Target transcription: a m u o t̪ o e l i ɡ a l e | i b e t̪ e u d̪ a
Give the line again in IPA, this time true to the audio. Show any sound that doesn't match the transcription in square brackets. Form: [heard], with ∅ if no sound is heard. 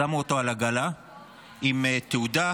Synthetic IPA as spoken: a m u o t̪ o [a] l [a] ɡ a l [a] | i [m] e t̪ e u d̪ a